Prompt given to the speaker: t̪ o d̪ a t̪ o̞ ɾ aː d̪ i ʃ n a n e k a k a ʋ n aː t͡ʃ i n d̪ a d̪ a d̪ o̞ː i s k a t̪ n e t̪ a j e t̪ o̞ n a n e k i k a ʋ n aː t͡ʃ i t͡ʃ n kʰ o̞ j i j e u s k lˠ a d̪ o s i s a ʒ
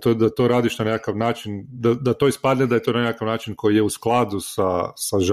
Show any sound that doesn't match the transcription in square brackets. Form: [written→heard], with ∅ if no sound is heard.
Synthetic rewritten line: t̪ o d̪ a t̪ o̞ ɾ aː d̪ i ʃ n a n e k a k a ʋ n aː t͡ʃ i n d̪ a d̪ a [d̪→t̪] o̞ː i s [k→p] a [t̪→d̪] n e [t̪→d̪] a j e t̪ o̞ n a n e k [i→a] k a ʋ n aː t͡ʃ i [t͡ʃ→∅] n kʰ o̞ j i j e u s k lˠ a d̪ [o→u] s [i→a] s a ʒ